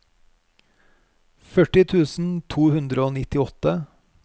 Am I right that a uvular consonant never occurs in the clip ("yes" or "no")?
yes